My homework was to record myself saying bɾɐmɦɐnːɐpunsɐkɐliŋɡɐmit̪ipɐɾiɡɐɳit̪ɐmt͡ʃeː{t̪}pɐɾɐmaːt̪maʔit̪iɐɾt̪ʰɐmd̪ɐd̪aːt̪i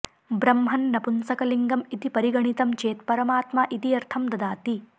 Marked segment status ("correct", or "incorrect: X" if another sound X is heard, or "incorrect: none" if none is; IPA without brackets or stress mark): correct